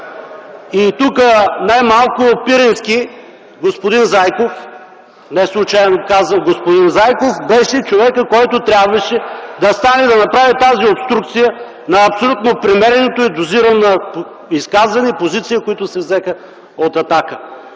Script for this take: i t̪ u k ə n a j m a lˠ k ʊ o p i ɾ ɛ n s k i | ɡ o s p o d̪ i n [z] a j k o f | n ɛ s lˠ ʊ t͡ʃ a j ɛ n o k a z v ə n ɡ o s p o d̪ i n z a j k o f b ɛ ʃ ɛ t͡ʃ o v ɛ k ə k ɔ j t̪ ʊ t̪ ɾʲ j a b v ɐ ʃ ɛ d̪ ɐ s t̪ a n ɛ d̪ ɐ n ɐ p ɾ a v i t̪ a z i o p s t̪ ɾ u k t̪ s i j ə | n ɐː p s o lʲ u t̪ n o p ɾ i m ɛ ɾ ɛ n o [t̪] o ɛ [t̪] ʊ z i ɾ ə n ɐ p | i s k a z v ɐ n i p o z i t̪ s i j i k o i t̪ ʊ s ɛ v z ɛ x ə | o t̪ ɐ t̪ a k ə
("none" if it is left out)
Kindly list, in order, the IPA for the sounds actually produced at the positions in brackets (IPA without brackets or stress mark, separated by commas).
z, t̪, d̪